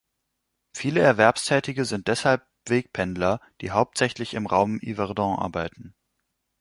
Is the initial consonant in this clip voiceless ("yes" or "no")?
yes